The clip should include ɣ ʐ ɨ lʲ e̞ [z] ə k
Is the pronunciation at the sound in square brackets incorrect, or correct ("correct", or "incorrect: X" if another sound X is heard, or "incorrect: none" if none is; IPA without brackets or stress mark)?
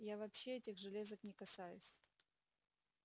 correct